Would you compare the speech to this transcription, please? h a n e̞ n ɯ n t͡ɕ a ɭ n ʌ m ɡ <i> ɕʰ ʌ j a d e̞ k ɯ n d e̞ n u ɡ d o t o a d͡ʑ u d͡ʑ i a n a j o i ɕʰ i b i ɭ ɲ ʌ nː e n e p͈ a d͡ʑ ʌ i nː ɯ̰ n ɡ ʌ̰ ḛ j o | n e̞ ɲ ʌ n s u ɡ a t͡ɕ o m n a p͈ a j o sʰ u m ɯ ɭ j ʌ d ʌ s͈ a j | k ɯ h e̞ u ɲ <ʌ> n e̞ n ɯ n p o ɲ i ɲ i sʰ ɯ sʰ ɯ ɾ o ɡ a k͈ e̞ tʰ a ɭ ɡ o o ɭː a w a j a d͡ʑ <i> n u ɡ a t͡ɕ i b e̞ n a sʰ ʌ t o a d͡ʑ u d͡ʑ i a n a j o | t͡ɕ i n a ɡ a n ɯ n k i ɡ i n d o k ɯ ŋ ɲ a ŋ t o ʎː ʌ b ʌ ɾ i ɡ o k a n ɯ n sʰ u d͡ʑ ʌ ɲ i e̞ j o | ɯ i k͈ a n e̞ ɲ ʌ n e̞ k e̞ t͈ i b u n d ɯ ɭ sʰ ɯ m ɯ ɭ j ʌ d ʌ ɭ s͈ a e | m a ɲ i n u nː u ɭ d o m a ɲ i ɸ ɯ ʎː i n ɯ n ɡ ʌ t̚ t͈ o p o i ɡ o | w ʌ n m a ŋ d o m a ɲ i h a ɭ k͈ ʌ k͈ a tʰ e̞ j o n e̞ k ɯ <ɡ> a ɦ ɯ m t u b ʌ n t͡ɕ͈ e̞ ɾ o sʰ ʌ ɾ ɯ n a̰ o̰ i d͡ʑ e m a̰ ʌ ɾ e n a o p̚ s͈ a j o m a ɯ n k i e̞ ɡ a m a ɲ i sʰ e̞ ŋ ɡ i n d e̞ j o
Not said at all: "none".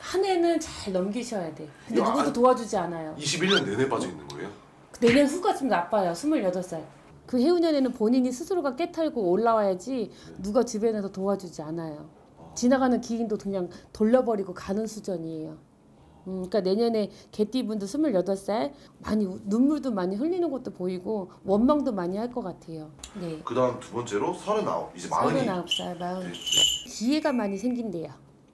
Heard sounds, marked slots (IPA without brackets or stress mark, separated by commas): i, ʌ, i, d